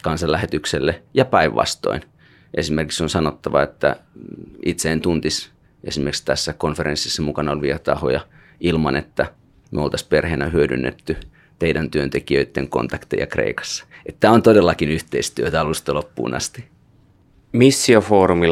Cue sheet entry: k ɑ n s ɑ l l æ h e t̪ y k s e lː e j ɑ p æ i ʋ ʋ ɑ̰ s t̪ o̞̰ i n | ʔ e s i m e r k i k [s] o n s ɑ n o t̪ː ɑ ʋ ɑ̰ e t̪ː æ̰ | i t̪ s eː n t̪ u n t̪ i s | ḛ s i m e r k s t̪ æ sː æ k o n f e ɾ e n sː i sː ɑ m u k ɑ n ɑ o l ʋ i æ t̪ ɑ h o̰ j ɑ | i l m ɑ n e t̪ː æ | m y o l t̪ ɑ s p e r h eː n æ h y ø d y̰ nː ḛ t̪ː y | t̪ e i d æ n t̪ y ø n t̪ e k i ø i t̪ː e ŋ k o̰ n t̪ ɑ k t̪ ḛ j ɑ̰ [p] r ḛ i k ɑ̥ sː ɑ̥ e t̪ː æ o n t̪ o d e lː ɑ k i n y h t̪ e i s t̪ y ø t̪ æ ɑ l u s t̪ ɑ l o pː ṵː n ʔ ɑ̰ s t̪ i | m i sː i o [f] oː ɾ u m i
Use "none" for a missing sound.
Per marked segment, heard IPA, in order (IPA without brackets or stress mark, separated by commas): s, k, f